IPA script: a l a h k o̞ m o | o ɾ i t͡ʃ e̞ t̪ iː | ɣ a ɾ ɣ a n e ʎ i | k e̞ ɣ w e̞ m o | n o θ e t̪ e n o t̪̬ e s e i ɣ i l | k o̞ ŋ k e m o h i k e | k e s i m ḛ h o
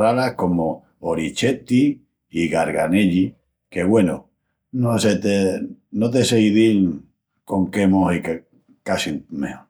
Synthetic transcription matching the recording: a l a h k o̞ m o | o ɾ i t͡ʃ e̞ t̪ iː | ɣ a ɾ ɣ a n e ʎ i | k e̞ ɣ w e̞ n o | n o s e t̪ e n o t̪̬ e s e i ð i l | k o̞ ŋ k e m o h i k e | k a s i m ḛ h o

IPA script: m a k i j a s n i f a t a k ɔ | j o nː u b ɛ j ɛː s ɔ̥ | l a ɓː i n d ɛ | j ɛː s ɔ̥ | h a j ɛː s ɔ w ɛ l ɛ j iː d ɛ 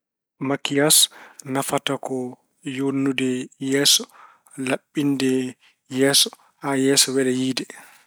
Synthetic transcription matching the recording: m a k i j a s n a f a t a k ɔ | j o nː u d ɛ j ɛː s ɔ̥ | l a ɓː i n d ɛ | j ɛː s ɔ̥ | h a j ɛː s ɔ w ɛ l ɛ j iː d ɛ

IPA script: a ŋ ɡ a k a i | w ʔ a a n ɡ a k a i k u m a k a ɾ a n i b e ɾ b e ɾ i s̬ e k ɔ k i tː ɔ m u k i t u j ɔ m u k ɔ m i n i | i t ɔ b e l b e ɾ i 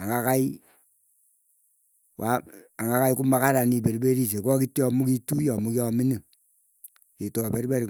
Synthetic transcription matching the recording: a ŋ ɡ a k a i | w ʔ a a ŋ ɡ a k a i k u m a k a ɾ a n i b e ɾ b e ɾ i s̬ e k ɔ k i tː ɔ m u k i t u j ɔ m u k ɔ m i n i | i t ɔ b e ɾ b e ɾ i

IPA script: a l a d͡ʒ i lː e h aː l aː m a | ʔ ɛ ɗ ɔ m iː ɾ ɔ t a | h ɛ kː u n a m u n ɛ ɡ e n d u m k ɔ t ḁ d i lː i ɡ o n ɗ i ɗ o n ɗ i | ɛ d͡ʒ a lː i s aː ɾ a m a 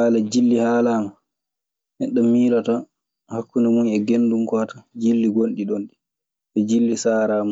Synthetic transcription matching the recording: a l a d͡ʒ i lː i h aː l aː m a | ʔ ɛ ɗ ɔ m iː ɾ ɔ t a | h a kː u n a m u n ɛ ɡ e n d u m k ɔ t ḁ d͡ʒ i lː i ɡ o n ɗ i ɗ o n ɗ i | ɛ d͡ʒ i lː i s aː ɾ a m a

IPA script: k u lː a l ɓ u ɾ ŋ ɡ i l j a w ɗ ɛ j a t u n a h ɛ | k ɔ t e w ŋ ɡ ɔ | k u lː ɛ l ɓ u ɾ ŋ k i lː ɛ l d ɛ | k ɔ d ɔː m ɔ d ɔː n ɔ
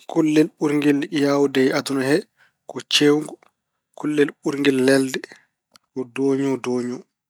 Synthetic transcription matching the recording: k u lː ɛ l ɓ u ɾ ŋ ɡ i l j a w d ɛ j a t u n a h ɛ | k ɔ t͡ʃ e w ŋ ɡ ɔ | k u lː ɛ l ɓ u ɾ ŋ ɡ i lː ɛ l d ɛ | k ɔ d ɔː ɲ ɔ d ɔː ɲ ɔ

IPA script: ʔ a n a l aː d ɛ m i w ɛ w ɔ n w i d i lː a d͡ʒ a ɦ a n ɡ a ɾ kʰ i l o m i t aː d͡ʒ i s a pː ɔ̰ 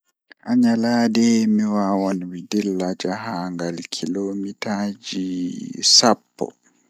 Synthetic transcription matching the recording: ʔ a ɲ a l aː d ɛ m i w a w ɔ n w i d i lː a d͡ʒ a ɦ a ŋ ɡ a l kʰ i l o m i t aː d͡ʒ i s a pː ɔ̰

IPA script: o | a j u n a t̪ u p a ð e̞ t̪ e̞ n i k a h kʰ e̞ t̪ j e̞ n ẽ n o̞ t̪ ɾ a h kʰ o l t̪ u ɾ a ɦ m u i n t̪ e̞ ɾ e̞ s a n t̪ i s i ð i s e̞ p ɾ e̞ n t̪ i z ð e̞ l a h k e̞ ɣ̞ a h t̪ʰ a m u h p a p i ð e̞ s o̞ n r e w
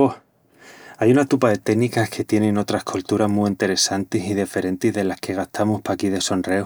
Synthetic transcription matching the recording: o | a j u n a t̪ u p a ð e̞ t̪ e̞ n i k a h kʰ e̞ t̪ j e̞ n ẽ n o̞ t̪ ɾ a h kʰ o l t̪ u ɾ a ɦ m u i n t̪ e̞ ɾ e̞ s a n t̪ i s i ð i f e̞ ɾ e̞ n t̪ i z ð e̞ l a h k e̞ ɣ̞ a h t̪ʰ a m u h p a k i ð e̞ s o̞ n r e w

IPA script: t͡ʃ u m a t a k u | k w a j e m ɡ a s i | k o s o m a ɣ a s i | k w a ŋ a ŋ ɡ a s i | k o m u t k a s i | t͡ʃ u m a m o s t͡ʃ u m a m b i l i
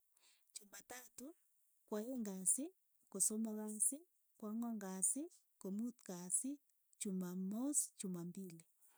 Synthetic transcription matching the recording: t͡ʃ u m a t a t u | k w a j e ŋ ɡ a s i | k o s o m a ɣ a s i | k w a ŋ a ŋ ɡ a s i | k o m u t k a s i | t͡ʃ u m a m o s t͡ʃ u m a m b i l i

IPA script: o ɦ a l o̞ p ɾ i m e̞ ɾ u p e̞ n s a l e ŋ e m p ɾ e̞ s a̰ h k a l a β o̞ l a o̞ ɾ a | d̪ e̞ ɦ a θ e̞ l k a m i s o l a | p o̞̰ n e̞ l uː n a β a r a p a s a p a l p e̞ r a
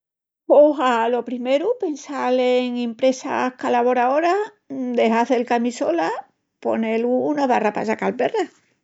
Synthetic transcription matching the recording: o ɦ a l o̞ p ɾ i m e̞ ɾ u p e̞ n s a l e ŋ e m p ɾ e̞ s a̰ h k a l a β o̞ ɾ a o̞ ɾ a | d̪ e̞ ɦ a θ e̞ l k a m i s o l a | p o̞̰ n e̞ l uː n a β a r a p a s a k a l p e̞ r a

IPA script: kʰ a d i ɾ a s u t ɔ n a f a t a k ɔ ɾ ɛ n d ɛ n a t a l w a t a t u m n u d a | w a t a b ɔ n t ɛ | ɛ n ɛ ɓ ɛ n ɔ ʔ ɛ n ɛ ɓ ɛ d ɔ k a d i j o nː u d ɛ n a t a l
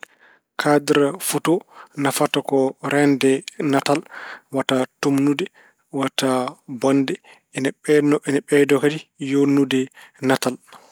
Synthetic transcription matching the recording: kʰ a d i ɾ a f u t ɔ n a f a t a k ɔ ɾ ɛ n d ɛ n a t a l w a t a t u m n u d ɛ | w a t a b ɔ n d ɛ | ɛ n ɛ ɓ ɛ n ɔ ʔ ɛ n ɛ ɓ ɛ d ɔ k a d i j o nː u d ɛ n a t a l

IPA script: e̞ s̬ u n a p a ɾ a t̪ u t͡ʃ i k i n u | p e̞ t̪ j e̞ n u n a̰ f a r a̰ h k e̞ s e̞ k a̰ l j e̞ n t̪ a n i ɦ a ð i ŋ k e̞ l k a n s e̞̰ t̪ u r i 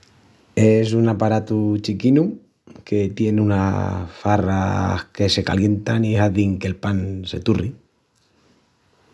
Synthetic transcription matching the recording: e̞ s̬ u n a p a ɾ a t̪ u t͡ʃ i k i n u | k e̞ t̪ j e̞ n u n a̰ f a r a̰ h k e̞ s e̞ k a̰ l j e̞ n t̪ a n i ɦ a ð i ŋ k e̞ l p a n s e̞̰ t̪ u r i

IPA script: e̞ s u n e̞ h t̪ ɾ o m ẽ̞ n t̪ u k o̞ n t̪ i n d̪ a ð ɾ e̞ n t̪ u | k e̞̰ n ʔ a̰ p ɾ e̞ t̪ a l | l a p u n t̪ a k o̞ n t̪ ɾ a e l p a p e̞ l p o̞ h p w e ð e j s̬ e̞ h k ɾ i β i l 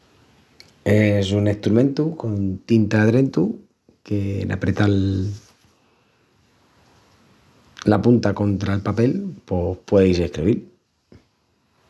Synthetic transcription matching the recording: e̞ s u n e̞ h t̪ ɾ u m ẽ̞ n t̪ u k o̞ n t̪ i n t̪ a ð ɾ e̞ n t̪ u | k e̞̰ n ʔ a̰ p ɾ e̞ t̪ a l | l a p u n t̪ a k o̞ n t̪ ɾ a e l p a p e̞ l p o̞ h p w e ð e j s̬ e̞ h k ɾ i β i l

